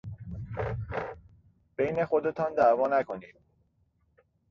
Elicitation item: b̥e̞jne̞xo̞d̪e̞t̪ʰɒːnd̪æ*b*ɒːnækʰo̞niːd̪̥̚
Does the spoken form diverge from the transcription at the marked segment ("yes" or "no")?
yes